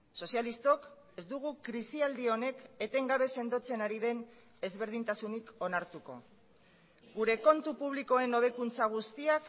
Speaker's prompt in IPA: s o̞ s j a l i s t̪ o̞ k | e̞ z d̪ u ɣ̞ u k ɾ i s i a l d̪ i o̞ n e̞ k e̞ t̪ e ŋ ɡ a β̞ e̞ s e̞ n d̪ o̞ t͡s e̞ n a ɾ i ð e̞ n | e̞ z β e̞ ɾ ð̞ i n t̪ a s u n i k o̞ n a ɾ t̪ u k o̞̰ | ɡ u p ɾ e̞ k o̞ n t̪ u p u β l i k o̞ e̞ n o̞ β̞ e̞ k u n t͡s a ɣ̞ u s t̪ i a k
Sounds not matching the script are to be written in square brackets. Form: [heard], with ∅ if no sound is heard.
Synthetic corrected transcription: s o̞ s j a l i s t̪ o̞ k | e̞ z d̪ u ɣ̞ u k ɾ i s i a l d̪ i o̞ n e̞ k e̞ t̪ e ŋ ɡ a β̞ e̞ s e̞ n d̪ o̞ t͡s e̞ n a ɾ i ð e̞ n | e̞ z β e̞ ɾ ð̞ i n t̪ a s u n i k o̞ n a ɾ t̪ u k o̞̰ | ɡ u [∅] ɾ e̞ k o̞ n t̪ u p u β l i k o̞ e̞ n o̞ β̞ e̞ k u n t͡s a ɣ̞ u s t̪ i a k